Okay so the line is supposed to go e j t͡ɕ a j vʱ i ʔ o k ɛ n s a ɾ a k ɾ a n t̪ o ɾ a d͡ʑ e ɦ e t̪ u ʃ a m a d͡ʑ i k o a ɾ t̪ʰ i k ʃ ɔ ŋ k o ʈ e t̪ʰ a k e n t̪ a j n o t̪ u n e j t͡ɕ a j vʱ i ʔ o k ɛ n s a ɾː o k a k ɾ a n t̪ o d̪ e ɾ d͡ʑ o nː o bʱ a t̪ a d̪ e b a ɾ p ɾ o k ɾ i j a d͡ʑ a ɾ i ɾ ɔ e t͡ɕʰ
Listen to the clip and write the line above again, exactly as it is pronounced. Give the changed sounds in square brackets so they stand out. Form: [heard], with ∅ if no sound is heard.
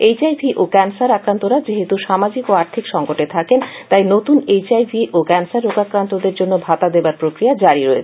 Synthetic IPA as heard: e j t͡ɕ a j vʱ i ʔ o k ɛ n s a ɾ a k ɾ a n t̪ o ɾ a d͡ʑ e ɦ e t̪ u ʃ a m a d͡ʑ i k o a ɾ t̪ʰ i k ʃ ɔ ŋ k o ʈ e t̪ʰ a k e n t̪ a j n o t̪ u n e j t͡ɕ a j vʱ i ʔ o k ɛ n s a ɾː o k a k ɾ a n t̪ o d̪ e ɾ d͡ʑ o nː o bʱ a t̪ a d̪ e b a ɾ p ɾ o k ɾ i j a d͡ʑ a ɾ i ɾ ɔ e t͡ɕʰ

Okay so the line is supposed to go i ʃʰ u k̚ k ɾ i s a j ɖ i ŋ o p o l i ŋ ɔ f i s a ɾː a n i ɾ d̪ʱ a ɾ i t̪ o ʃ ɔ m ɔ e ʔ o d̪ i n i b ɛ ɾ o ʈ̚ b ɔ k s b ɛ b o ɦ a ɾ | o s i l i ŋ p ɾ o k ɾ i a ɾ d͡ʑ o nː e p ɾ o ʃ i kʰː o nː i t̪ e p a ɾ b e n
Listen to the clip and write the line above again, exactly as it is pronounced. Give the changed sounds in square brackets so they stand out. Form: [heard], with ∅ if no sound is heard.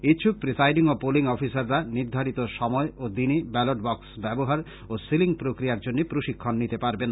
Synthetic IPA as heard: i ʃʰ u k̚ [p] ɾ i s a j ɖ i ŋ o p o l i ŋ ɔ f i s a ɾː a n i ɾ d̪ʱ a ɾ i t̪ o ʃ ɔ m ɔ e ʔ o d̪ i n i b ɛ [l] o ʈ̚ b ɔ k s b ɛ b o ɦ a ɾ | o s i l i ŋ p ɾ o k ɾ i a ɾ d͡ʑ o nː e p ɾ o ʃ i kʰː o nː i t̪ e p a ɾ b e n

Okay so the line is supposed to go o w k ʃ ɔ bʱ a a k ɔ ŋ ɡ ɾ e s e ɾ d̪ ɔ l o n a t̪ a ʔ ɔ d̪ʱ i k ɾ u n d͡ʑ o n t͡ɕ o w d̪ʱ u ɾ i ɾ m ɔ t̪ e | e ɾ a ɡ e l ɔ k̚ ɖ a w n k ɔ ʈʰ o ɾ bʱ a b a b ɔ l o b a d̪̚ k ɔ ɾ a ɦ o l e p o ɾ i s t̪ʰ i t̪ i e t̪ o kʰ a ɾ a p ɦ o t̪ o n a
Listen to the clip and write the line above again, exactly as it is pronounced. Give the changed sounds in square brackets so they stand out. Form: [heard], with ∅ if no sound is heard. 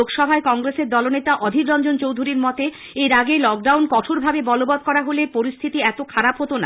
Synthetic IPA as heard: o [∅] k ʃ ɔ bʱ a [e] k ɔ ŋ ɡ ɾ e s e ɾ d̪ ɔ l o n [e] t̪ a ʔ ɔ d̪ʱ i k ɾ [ɔ] n d͡ʑ o n t͡ɕ o w d̪ʱ u ɾ i ɾ m ɔ t̪ e | e ɾ a ɡ e l ɔ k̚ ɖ a w n k ɔ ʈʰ o ɾ bʱ a b [e] b ɔ l o b a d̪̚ k ɔ ɾ a ɦ o l e p o ɾ i s t̪ʰ i t̪ i [ɛ] t̪ o kʰ a ɾ a p ɦ o t̪ o n a

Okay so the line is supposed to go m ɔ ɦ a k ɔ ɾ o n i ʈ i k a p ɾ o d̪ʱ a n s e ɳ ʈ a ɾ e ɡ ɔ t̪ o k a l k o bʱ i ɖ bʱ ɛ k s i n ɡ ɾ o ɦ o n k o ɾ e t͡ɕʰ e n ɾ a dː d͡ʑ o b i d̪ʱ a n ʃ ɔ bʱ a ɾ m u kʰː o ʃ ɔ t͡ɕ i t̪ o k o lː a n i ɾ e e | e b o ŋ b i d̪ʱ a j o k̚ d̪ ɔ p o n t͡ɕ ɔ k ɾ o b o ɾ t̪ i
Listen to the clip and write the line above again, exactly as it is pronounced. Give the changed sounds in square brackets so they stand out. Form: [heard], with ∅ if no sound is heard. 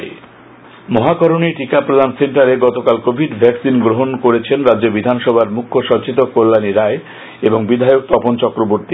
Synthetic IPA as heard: m ɔ ɦ a k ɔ ɾ o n i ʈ i k a p ɾ o d̪ʱ a n s e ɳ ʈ a ɾ e ɡ ɔ t̪ o k a l k o bʱ i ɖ bʱ ɛ k s i n ɡ ɾ o ɦ o n k o ɾ e t͡ɕʰ e n ɾ a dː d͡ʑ o b i d̪ʱ a n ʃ ɔ bʱ a ɾ m u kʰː o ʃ ɔ t͡ɕ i t̪ o k o lː a n i ɾ [a] e | e b o ŋ b i d̪ʱ a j o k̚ [t̪] ɔ p o n t͡ɕ ɔ k ɾ o b o ɾ t̪ i

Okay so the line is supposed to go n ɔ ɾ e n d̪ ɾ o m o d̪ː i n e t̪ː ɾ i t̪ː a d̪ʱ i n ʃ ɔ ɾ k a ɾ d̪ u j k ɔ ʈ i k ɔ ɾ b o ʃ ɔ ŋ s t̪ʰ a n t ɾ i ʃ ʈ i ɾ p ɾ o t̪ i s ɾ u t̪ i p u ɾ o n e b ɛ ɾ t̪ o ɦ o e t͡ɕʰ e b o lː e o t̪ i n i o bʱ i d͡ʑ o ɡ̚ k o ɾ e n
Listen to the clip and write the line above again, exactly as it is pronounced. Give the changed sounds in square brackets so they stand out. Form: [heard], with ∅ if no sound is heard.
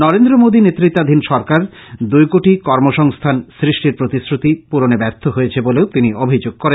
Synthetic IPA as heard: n ɔ ɾ e n d̪ ɾ o m o [d̪] i n e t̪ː ɾ i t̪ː a d̪ʱ i n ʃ ɔ ɾ k a ɾ d̪ u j k [o] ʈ i k ɔ ɾ [m] o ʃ ɔ ŋ s t̪ʰ a n [s] ɾ i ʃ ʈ i ɾ p ɾ o t̪ i s ɾ u t̪ i p u ɾ o n e b ɛ ɾ [t̪ʰ] o ɦ o e t͡ɕʰ e b o [l] e o t̪ i n i o bʱ i d͡ʑ o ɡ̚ k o ɾ e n

